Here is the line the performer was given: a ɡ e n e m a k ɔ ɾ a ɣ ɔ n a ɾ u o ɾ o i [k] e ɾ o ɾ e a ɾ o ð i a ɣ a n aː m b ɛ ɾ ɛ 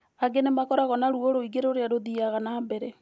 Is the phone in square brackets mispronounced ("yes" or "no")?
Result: yes